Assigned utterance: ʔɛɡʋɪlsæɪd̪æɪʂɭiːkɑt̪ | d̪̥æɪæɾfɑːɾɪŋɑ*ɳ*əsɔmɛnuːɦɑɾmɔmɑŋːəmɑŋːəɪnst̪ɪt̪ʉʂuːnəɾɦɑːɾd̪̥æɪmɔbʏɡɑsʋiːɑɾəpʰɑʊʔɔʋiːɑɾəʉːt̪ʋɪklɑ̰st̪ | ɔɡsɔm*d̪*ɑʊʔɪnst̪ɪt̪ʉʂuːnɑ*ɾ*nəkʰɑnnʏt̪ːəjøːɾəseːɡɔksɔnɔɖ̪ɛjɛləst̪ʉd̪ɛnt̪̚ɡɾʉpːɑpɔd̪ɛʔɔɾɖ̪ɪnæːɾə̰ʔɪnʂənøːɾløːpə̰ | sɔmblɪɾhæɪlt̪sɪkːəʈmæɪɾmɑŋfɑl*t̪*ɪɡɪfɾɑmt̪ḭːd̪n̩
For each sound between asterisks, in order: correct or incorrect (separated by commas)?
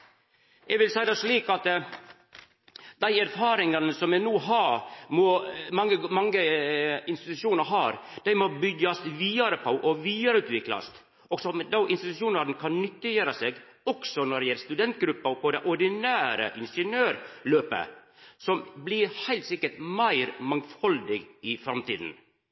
incorrect, correct, correct, incorrect